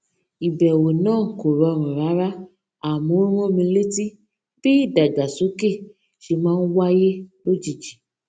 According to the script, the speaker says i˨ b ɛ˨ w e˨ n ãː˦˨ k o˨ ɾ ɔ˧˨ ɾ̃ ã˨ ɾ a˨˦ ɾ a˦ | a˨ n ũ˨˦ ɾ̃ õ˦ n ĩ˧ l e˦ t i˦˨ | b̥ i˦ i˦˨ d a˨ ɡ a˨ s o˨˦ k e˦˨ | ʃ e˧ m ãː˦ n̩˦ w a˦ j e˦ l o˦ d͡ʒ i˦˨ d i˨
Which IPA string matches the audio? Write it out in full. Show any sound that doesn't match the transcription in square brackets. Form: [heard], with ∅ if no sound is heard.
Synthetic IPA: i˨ b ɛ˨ w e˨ n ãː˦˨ k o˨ ɾ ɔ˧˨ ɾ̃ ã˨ ɾ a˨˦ ɾ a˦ | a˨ [m] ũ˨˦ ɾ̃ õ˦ [m] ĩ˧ l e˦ t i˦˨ | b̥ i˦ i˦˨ d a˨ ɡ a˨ s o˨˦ k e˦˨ | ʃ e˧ m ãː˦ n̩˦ w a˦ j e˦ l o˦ d͡ʒ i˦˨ [d͡ʒ] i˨